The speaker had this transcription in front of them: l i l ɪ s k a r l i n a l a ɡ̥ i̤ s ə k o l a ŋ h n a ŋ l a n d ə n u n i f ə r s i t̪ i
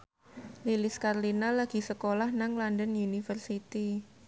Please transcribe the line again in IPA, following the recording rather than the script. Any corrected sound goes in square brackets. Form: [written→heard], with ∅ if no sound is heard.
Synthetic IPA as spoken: l i l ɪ s k a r l i n a l a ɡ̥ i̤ s ə k o l a [ŋ→∅] h n a ŋ l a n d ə n u n i f ə r s i t̪ i